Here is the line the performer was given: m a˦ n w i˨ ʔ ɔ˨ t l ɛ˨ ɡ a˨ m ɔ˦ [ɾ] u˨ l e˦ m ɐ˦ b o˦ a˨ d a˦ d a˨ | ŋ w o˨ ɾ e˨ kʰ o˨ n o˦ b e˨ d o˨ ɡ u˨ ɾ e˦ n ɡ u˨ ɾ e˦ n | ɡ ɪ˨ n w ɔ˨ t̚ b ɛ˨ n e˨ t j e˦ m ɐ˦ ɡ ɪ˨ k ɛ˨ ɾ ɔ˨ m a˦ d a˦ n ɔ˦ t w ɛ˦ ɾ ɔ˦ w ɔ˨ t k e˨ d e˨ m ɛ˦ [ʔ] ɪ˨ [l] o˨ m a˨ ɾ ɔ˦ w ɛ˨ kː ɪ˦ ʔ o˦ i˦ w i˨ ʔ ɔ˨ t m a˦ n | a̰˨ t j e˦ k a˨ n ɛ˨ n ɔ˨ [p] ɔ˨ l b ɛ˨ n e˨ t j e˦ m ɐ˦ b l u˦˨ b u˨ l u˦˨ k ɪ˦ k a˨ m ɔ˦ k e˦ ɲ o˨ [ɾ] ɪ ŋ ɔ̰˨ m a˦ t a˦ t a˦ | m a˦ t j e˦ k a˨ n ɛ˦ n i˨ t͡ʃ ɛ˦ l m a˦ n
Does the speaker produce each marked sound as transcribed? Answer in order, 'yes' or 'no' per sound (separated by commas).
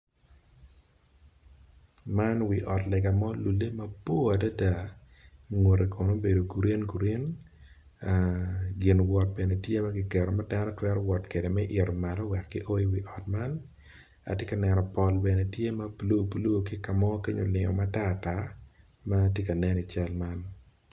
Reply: no, yes, no, yes, no